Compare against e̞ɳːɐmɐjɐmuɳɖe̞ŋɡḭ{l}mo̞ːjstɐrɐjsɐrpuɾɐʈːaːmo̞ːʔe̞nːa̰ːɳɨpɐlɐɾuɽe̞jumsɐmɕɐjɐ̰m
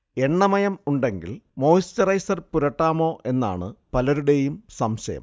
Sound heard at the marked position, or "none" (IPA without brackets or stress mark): l